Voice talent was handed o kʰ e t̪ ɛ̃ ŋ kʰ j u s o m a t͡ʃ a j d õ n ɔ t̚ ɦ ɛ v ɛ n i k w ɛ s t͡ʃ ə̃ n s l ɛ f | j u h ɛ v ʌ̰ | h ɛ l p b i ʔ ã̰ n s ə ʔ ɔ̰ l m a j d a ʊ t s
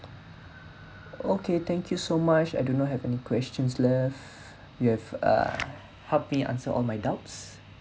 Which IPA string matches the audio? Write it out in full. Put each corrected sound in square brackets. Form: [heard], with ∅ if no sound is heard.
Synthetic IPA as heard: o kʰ e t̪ ɛ̃ ŋ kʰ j u s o m a t͡ʃ a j d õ n ɔ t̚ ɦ ɛ v ɛ n i k w ɛ s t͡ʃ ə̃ n s l ɛ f | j u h ɛ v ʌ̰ | h ɛ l p [m] i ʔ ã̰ n s ə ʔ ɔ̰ l m a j d a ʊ t s